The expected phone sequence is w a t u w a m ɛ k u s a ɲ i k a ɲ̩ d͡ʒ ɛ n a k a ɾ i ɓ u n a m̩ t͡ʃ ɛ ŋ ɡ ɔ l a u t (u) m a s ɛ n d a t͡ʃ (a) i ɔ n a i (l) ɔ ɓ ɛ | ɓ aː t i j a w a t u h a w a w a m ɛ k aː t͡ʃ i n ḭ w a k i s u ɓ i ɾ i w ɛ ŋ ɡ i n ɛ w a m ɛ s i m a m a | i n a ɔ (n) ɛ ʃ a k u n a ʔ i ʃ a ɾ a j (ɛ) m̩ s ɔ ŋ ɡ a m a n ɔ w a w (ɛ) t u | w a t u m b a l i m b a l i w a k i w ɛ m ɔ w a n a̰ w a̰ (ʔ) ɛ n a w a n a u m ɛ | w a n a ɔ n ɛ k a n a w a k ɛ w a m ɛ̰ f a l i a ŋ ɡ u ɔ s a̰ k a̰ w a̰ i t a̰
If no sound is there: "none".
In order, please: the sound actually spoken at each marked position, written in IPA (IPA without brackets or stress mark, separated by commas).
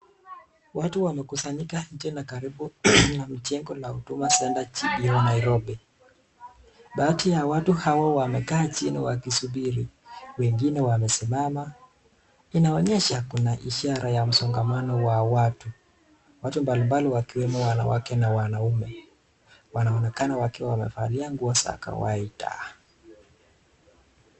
u, i, ɾ, ɲ, a, a, k